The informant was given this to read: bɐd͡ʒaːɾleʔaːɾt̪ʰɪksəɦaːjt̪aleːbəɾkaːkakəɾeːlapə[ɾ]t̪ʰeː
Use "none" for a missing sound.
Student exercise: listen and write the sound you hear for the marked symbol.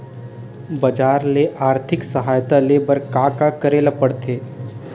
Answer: ɽ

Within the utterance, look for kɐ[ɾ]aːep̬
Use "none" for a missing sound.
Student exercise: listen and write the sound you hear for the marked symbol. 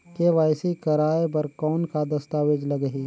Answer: ɾ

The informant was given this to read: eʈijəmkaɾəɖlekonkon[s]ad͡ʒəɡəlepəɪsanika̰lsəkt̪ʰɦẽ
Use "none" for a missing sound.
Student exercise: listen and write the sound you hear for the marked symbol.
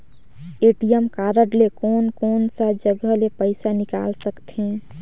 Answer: s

